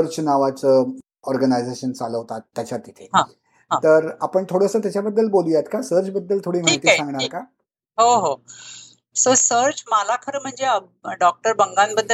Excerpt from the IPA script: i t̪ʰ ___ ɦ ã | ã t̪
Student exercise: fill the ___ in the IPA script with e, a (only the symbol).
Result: e